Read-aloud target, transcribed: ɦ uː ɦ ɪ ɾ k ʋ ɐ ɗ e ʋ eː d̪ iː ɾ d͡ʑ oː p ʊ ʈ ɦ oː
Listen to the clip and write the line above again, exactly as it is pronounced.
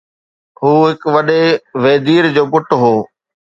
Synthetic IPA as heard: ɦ uː ɦ ɪ k ʋ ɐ ɗ e ʋ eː d̪ iː ɾ d͡ʑ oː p ʊ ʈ ɦ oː

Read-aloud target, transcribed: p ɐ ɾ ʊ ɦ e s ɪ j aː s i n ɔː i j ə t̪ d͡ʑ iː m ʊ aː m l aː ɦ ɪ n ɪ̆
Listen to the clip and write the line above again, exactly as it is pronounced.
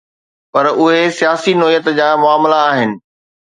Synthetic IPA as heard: p ɐ ɾ ʊ ɦ e s i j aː s i n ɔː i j ə t̪ d͡ʑ aː m ʊ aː m l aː ɦ ɪ n ɪ̆

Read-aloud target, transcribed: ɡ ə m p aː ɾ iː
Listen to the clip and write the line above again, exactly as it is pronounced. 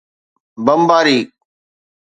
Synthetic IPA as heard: b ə m b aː ɾ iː

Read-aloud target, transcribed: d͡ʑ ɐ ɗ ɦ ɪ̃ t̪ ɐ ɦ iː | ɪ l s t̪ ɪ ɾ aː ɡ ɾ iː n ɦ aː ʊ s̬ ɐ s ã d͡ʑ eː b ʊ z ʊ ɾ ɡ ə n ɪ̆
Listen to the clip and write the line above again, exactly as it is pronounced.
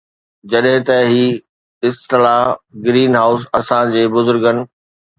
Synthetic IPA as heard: d͡ʑ ɐ ɗ ɦ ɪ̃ t̪ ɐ ɦ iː | ɪ s t̪ ɪ l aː ɡ ɾ iː n ɦ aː ʊ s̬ ɐ s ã d͡ʑ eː b ʊ z ʊ ɾ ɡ ə n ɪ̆

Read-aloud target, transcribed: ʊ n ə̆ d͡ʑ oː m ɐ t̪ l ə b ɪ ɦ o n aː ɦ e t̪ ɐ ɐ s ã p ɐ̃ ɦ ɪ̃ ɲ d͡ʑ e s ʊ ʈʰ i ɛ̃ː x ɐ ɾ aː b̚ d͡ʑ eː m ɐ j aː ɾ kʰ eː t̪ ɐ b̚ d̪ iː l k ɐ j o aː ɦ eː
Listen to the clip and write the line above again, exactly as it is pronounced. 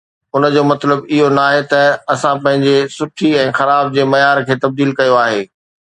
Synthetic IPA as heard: ʊ n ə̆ d͡ʑ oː m ɐ t̪ l ə b ɪ ɦ o n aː ɦ e t̪ ɐ ɐ s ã p ɐ̃ ɦ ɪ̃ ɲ d͡ʑ e s ʊ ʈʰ i ɛ̃ː x ɐ ɾ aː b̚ d͡ʑ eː m ɐ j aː ɾ kʰ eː t̪ ɐ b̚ d̪ iː l k ɐ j o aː ɦ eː

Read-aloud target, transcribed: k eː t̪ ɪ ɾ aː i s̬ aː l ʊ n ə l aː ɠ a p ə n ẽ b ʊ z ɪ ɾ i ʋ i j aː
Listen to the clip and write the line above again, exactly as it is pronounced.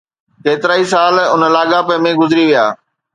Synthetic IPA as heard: k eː t̪ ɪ ɾ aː i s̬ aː l ʊ n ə l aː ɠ a p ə m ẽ ɡ ʊ z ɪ ɾ i ʋ i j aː

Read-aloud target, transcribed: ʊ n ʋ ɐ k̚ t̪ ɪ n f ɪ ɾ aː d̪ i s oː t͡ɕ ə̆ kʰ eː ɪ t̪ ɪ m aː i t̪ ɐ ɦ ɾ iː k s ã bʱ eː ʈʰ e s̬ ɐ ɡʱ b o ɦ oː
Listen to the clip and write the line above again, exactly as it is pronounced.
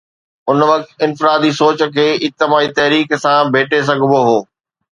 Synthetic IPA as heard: ʊ n ʋ ɐ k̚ t̪ ɪ n f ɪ ɾ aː d̪ i s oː t͡ɕ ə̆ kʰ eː ɪ t̪ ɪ m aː i t̪ ɐ ɦ ɾ iː k s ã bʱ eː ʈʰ e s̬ ɐ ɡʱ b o ɦ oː

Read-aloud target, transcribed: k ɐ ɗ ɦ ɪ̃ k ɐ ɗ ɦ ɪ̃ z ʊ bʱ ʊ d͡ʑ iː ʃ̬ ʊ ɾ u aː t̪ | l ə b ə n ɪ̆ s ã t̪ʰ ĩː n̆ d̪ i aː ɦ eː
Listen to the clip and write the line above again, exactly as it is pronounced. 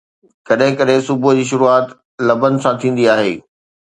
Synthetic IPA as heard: k ɐ ɗ ɦ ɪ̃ k ɐ ɗ ɦ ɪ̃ s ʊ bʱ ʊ d͡ʑ iː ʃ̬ ʊ ɾ u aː t̪ | l ɐ b ə n ɪ̆ s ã t̪ʰ ĩː n̆ d̪ i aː ɦ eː

